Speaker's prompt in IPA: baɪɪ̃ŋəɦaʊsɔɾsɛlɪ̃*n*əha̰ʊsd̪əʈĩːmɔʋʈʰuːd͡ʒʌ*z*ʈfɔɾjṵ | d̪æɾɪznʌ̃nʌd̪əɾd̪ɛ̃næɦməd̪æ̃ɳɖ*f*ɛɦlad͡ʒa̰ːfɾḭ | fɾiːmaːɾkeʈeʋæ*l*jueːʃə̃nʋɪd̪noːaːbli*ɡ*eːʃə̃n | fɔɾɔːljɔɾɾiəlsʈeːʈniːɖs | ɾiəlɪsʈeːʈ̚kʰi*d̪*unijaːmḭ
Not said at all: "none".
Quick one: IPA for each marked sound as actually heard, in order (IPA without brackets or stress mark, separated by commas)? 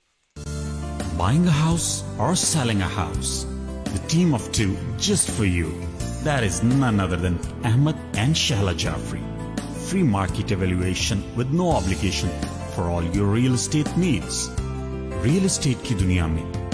ŋ, s, ʃ, l, ɡ, d̪